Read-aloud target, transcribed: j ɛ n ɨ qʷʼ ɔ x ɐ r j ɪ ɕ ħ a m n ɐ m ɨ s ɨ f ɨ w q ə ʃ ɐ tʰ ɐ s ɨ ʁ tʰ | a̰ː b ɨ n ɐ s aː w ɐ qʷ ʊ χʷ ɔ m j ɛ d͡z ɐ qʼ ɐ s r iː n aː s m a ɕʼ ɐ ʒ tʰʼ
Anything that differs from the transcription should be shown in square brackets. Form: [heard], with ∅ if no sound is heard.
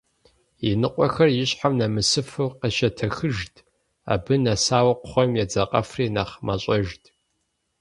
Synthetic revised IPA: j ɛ n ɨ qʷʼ ɔ x ɐ r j ɪ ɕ ħ a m n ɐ m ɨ s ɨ f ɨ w q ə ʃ ɐ tʰ ɐ [x] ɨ [ʒ] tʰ | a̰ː b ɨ n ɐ s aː w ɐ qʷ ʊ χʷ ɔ m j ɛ d͡z ɐ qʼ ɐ [f] r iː n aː [χ] m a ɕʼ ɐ ʒ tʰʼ